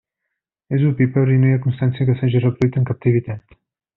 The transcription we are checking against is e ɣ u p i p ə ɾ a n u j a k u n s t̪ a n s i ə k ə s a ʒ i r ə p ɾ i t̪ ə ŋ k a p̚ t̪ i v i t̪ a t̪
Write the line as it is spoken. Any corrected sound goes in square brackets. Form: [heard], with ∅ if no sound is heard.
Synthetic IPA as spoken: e [z] u p i p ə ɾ [i] n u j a k u n s t̪ a n s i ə k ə s a ʒ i r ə p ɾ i t̪ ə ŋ k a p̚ t̪ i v i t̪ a t̪